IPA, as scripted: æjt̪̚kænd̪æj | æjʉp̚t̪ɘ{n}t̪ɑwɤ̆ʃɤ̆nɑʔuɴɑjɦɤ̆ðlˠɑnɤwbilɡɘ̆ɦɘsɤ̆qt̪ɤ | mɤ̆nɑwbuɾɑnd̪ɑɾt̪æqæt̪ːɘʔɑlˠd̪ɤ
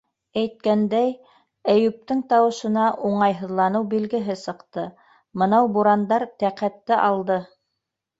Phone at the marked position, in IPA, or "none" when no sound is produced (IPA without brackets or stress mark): ŋ